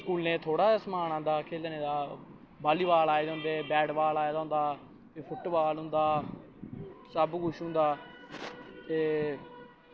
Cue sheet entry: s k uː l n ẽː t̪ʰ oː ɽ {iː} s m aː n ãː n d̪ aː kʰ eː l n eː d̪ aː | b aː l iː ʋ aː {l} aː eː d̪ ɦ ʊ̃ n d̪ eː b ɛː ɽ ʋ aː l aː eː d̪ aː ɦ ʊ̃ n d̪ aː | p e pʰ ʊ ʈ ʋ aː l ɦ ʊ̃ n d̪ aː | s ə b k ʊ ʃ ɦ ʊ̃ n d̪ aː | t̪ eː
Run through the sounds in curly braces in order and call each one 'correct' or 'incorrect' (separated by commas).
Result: incorrect, correct